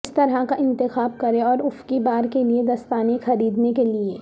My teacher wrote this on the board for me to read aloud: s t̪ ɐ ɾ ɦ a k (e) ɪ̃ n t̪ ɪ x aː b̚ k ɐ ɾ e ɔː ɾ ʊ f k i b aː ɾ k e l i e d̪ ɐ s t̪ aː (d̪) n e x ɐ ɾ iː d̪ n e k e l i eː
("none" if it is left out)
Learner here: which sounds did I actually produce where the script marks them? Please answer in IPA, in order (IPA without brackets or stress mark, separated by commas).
a, none